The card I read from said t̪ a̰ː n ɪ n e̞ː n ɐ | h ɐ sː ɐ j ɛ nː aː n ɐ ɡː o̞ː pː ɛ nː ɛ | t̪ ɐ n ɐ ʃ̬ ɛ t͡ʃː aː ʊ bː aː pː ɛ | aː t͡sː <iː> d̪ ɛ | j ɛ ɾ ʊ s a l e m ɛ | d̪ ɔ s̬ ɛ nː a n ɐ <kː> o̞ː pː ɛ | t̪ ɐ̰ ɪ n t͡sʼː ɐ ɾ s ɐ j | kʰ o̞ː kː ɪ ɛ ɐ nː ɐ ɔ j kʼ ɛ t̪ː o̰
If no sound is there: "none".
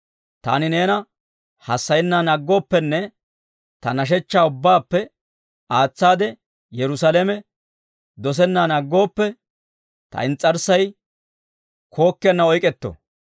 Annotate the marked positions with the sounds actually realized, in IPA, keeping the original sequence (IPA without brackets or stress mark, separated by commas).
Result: aː, ɡː